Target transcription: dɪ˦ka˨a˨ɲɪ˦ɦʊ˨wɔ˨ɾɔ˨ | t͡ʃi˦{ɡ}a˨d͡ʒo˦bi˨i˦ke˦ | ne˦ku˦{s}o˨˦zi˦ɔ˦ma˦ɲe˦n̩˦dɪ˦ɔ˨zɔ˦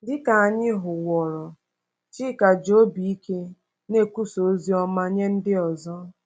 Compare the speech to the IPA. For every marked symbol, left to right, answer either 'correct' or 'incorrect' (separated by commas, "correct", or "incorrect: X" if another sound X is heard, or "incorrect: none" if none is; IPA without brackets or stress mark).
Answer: incorrect: k, correct